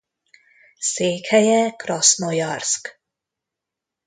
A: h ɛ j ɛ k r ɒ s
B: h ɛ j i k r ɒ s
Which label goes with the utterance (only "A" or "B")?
A